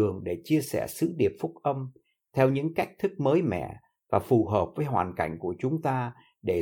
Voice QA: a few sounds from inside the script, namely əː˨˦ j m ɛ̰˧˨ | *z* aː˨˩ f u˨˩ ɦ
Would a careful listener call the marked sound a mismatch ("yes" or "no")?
yes